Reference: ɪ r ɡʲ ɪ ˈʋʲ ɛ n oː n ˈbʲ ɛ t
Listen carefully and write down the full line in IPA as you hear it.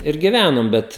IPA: ɪ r ɡʲ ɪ ˈʋʲ æ n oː m ˈbʲ ɛ t